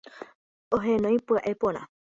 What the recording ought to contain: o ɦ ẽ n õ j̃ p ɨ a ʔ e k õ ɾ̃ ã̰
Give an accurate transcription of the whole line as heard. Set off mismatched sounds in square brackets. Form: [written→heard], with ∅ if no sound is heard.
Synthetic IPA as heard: o ɦ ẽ n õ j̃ p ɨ a ʔ e [k→p] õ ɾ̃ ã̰

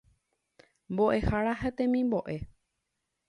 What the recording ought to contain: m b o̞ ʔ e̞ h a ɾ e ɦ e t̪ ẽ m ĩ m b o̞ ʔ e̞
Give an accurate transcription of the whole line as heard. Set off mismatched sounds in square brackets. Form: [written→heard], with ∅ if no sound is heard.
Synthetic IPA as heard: m b o̞ ʔ e̞ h a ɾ [e→a] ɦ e t̪ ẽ m ĩ m b o̞ ʔ e̞

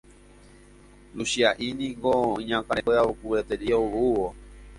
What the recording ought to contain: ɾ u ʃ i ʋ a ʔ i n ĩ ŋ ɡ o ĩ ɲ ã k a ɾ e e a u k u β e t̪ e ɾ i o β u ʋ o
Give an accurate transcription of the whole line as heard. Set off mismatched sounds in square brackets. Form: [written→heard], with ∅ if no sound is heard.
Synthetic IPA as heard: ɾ u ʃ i [ʋ→∅] a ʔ i n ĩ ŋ ɡ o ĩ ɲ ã k a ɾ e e a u k u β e t̪ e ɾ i o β u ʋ o

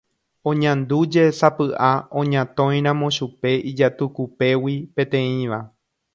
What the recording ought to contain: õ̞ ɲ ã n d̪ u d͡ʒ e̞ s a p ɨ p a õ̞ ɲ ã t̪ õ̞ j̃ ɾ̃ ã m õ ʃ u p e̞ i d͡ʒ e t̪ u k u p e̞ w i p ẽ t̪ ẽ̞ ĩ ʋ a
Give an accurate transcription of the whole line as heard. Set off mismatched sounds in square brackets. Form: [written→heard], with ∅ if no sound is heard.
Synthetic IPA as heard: õ̞ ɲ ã n d̪ u d͡ʒ e̞ s a p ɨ [p→ʔ] a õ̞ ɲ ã t̪ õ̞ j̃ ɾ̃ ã m õ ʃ u p e̞ i d͡ʒ [e→a] t̪ u k u p e̞ w i p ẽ t̪ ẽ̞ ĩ ʋ a

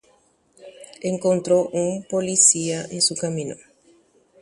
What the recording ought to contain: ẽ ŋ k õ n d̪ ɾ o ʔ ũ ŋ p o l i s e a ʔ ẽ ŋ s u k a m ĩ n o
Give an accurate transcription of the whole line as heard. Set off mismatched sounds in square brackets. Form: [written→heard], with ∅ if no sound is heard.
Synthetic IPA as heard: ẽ ŋ k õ n [d̪→t̪] ɾ o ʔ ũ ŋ p o l i s [e→i] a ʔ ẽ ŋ s u k a m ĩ n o

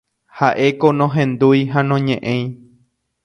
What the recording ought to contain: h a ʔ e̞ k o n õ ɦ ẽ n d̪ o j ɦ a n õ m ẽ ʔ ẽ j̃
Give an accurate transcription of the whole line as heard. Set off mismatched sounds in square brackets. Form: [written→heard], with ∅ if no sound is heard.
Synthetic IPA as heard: h a ʔ e̞ k o n õ ɦ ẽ n d̪ [o→u] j ɦ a n õ [m→ɲ] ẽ ʔ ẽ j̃

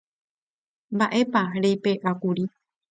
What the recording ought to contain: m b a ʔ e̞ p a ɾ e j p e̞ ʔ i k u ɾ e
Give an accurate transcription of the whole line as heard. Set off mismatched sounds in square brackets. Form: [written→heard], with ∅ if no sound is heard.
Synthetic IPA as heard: m b a ʔ e̞ p a ɾ e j p e̞ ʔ [i→a] k u ɾ [e→i]

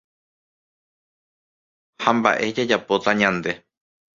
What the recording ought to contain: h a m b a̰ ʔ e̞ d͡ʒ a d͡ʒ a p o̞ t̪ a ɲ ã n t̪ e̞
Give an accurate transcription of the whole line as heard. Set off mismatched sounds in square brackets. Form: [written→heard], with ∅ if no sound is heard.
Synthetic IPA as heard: h a m b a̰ ʔ e̞ d͡ʒ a d͡ʒ a p o̞ t̪ a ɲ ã n [t̪→d̪] e̞

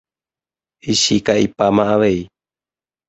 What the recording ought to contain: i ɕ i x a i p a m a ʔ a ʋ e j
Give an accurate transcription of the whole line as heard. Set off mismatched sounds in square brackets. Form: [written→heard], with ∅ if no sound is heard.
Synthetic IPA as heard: i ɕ i [x→k] a i p a m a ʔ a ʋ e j

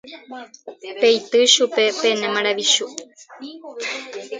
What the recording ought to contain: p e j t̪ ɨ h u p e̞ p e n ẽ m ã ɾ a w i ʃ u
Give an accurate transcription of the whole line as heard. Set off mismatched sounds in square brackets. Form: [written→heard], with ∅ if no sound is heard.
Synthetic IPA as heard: p e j t̪ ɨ [h→ʃ] u p e̞ p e n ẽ m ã ɾ a [w→ʋ] i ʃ u

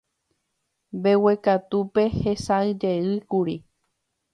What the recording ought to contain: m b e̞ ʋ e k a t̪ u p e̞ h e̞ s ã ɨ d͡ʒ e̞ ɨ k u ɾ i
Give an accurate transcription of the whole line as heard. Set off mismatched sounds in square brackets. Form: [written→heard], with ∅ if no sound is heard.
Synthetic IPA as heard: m b e̞ [ʋ→w] e k a t̪ u p e̞ h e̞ s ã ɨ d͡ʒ e̞ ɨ k u ɾ i

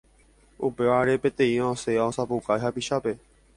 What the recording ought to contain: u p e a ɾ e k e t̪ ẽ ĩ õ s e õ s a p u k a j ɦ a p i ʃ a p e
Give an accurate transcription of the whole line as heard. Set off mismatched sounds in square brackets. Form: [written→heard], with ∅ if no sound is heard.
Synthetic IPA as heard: u p e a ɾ e [k→p] e t̪ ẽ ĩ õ s e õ s a p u k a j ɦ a p i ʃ a p e

